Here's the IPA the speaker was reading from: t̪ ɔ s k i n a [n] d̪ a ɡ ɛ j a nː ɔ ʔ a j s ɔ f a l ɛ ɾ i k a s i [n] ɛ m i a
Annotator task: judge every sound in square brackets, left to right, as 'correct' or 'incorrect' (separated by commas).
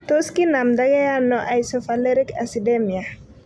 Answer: incorrect, incorrect